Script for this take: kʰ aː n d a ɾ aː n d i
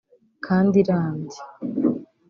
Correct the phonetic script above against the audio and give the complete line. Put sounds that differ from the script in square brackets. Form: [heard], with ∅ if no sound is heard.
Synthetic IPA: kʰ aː n d [i] ɾ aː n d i